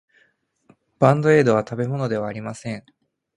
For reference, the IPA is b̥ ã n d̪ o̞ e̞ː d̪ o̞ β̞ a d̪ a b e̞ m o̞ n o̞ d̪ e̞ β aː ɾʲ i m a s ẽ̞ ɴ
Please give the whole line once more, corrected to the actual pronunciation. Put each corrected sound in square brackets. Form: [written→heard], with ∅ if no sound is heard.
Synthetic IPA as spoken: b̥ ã n d̪ o̞ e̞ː d̪ o̞ β̞ a [d̪→t̪] a b e̞ m o̞ n o̞ d̪ e̞ β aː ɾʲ i m a s ẽ̞ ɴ